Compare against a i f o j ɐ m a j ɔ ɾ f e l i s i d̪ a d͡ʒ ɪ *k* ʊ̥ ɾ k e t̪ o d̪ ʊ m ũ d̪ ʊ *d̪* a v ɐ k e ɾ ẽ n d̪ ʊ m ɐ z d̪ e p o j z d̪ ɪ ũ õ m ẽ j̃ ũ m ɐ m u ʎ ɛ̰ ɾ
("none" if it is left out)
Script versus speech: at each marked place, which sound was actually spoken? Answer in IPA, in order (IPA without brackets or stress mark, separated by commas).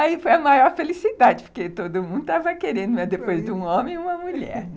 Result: p, t̪